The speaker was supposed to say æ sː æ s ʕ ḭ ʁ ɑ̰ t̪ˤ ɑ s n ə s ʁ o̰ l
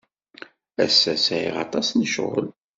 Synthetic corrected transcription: æ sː æ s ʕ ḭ ʁ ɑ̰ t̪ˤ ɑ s n ə ʃ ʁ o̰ l